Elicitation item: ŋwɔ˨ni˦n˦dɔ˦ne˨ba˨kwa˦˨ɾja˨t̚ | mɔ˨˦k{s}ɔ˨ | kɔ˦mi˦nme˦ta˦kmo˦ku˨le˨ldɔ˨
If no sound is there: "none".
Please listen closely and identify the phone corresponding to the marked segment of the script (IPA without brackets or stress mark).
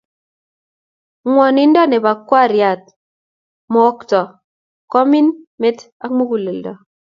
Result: t